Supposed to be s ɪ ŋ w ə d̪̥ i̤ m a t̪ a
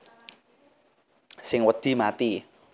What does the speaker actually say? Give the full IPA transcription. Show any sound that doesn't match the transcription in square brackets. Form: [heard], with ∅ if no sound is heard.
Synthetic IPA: s ɪ ŋ w ə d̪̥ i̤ m a t̪ [i]